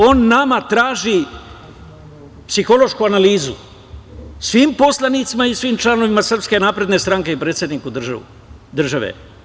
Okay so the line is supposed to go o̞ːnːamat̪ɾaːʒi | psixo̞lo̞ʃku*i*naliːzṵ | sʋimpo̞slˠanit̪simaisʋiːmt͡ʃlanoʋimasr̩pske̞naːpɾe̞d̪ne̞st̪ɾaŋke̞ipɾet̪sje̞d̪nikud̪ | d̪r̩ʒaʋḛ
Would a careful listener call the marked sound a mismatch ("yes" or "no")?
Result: yes